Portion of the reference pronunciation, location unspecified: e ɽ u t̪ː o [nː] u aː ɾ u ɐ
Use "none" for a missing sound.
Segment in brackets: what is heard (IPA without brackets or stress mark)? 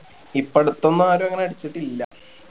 nː